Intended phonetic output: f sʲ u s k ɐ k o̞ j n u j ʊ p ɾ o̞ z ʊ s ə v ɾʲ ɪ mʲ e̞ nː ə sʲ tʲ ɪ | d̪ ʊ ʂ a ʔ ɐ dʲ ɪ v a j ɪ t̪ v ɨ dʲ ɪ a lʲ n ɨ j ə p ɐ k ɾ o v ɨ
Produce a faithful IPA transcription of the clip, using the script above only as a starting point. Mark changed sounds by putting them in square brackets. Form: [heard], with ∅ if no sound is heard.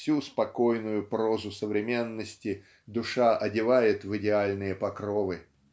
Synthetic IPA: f sʲ u s [p] ɐ k o̞ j n [ʊ] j ʊ p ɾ o̞ z ʊ s ə v ɾʲ ɪ mʲ e̞ nː ə sʲ tʲ ɪ | d̪ ʊ ʂ a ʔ ɐ dʲ ɪ v a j ɪ t̪ v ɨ dʲ ɪ a lʲ n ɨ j ə p ɐ k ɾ o v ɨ